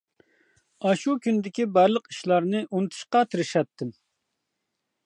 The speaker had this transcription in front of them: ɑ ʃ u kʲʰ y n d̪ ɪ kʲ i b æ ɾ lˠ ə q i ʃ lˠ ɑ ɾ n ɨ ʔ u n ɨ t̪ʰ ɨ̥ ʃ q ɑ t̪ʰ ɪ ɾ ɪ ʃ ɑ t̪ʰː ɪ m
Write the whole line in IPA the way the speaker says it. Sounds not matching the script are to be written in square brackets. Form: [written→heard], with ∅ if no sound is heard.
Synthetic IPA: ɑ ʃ u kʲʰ y n d̪ ɪ kʲ i b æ ɾ lˠ ə q i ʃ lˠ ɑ ɾ n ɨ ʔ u n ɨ t̪ʰ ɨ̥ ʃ q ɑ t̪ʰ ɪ ɾ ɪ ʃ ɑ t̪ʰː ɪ m